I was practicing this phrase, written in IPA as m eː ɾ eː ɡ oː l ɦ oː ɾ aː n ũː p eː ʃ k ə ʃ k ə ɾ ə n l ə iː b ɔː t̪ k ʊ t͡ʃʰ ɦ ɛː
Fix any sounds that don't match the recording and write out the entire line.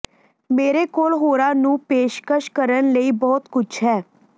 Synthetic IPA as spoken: m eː ɾ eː k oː l ɦ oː ɾ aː n ũː p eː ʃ k ə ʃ k ə ɾ ə n l ə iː b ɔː t̪ k ʊ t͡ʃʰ ɦ ɛː

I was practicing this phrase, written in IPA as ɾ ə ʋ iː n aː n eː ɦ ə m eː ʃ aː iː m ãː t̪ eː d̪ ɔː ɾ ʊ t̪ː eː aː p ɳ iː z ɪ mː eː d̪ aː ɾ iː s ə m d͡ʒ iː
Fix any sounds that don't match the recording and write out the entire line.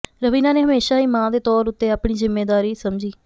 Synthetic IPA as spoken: ɾ ə ʋ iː n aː n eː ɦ ə m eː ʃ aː iː m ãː d̪ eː t̪ ɔː ɾ ʊ t̪ː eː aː p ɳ iː z ɪ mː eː d̪ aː ɾ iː s ə m d͡ʒ iː

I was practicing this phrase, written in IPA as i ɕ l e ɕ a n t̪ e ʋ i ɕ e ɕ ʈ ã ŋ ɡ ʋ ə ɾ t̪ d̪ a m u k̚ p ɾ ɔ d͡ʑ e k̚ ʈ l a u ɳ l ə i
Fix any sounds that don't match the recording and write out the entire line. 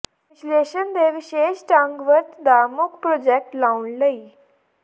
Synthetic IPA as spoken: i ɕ l e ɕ ə n d̪ e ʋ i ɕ e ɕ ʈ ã ŋ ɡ ʋ ə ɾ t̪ d̪ a m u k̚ p ɾ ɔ d͡ʑ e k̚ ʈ l a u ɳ l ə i

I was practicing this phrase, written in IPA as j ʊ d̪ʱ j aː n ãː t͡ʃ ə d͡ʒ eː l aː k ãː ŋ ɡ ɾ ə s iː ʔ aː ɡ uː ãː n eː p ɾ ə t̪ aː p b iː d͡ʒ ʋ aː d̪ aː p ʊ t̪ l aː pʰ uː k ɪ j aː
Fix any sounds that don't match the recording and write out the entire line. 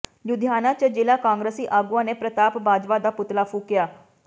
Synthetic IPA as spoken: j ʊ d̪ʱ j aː n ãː t͡ʃ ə d͡ʒ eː l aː k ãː ŋ ɡ ɾ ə s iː ʔ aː ɡ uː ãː n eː p ɾ ə t̪ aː p b aː d͡ʒ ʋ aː d̪ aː p ʊ t̪ l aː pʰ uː k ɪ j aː

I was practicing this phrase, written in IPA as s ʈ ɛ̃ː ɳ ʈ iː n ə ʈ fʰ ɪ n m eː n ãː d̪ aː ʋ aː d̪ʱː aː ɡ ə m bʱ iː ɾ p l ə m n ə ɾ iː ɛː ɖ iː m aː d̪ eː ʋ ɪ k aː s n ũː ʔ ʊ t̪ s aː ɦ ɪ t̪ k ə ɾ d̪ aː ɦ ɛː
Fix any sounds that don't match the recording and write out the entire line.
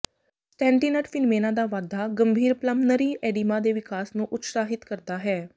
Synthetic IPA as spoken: s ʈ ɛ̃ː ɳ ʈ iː n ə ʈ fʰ ɪ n m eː n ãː d̪ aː ʋ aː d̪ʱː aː ɡ ə m bʱ iː ɾ p l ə m n ə ɾ iː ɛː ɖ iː m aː d̪ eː ʋ ɪ k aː s n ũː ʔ ʊ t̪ s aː ɦ ɪ t̪ k ə ɾ d̪ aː ɦ ɛː

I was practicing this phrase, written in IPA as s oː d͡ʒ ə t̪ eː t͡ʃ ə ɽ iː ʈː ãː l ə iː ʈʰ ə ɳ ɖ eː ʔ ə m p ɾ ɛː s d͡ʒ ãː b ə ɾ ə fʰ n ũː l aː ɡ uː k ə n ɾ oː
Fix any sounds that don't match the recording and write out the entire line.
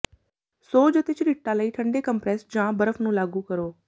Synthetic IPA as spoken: s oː d͡ʒ ə t̪ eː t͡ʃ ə ɾ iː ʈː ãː l ə iː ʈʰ ə ɳ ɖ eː k ə m p ɾ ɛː s d͡ʒ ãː b ə ɾ ə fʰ n ũː l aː ɡ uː k ə ɾ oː

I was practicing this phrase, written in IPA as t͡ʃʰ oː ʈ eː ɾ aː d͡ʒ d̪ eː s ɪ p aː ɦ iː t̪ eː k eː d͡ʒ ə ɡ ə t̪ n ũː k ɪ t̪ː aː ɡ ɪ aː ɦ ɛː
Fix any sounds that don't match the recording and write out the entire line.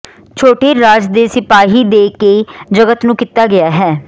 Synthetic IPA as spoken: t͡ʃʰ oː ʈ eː ɾ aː d͡ʒ d̪ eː s ɪ p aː ɦ iː d̪ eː k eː d͡ʒ ə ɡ ə t̪ n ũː k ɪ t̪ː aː ɡ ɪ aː ɦ ɛː

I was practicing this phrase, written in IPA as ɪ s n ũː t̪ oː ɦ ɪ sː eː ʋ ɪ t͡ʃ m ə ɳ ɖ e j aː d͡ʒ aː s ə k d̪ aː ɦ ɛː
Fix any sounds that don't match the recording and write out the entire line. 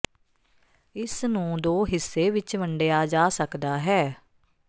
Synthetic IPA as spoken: ɪ s n ũː d̪ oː ɦ ɪ sː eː ʋ ɪ t͡ʃ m ə ɳ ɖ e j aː d͡ʒ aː s ə k d̪ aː ɦ ɛː

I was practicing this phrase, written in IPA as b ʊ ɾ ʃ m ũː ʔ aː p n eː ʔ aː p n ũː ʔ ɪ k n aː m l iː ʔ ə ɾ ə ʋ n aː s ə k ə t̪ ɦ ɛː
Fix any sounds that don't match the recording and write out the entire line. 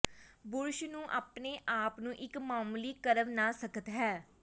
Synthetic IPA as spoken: b ʊ ɾ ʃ n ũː ʔ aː p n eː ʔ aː p n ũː ʔ ɪ k m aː m l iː k ə ɾ ə ʋ n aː s ə k ə t̪ ɦ ɛː

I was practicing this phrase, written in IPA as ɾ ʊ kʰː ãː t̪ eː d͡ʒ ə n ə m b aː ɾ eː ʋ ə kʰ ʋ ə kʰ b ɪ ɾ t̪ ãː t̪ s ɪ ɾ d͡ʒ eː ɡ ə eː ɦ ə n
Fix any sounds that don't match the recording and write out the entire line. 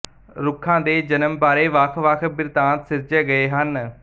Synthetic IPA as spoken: ɾ ʊ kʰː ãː d̪ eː d͡ʒ ə n ə m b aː ɾ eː ʋ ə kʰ ʋ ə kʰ b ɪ ɾ t̪ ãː t̪ s ɪ ɾ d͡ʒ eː ɡ ə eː ɦ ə n

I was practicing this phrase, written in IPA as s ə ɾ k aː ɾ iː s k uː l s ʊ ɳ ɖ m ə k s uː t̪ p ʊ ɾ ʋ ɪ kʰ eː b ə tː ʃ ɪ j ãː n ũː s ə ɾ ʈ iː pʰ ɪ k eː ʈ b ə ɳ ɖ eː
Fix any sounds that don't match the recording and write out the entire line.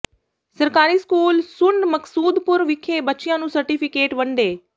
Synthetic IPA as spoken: s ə ɾ k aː ɾ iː s k uː l s ʊ ɳ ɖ m ə k s uː d̪ p ʊ ɾ ʋ ɪ kʰ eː b ə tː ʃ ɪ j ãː n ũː s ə ɾ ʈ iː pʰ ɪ k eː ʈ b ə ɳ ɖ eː

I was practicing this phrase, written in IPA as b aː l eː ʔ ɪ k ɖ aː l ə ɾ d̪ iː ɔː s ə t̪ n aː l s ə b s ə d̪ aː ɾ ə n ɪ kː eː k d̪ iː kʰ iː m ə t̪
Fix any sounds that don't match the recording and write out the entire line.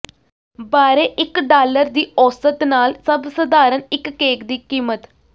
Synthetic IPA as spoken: b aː ɾ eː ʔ ɪ k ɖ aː l ə ɾ d̪ iː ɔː s ə t̪ n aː l s ə b s ə d̪ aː ɾ ə n ɪ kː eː k d̪ iː k iː m ə t̪

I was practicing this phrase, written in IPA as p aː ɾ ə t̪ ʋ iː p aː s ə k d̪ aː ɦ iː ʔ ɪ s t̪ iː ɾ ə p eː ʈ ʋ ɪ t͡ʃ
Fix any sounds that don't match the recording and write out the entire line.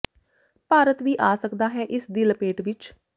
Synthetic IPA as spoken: p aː ɾ ə t̪ ʋ iː ʔ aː s ə k d̪ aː ɦ ɛː ʔ ɪ s d̪ iː l ə p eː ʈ ʋ ɪ t͡ʃ

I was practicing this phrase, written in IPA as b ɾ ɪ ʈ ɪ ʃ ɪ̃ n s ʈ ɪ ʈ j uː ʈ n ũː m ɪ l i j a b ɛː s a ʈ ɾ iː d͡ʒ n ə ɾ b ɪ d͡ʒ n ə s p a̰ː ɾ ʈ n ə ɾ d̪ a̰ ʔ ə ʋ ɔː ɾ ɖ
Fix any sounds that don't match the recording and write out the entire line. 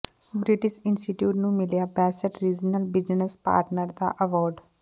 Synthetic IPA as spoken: b ɾ ɪ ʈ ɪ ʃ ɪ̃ n s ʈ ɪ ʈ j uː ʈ n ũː m ɪ l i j a b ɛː s ə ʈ ɾ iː d͡ʒ n ə l b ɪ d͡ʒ n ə s p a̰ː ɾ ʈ n ə ɾ d̪ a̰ ʔ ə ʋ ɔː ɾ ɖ

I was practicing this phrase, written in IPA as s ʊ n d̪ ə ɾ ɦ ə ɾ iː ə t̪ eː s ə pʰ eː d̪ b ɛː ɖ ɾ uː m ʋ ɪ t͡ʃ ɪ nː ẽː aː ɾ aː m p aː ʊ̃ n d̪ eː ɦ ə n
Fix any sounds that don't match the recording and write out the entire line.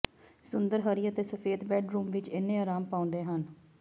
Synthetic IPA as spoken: s ʊ n d̪ ə ɾ ɦ ə ɾ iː ə t̪ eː s ə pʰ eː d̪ b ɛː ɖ ɾ uː m ʋ ɪ t͡ʃ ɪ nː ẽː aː ɾ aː m p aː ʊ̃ n d̪ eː ɦ ə n

